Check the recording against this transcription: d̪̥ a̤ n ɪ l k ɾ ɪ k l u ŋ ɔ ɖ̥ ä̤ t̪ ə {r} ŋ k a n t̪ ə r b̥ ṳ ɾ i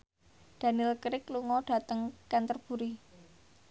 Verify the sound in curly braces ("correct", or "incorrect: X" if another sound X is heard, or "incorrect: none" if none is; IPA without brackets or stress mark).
incorrect: none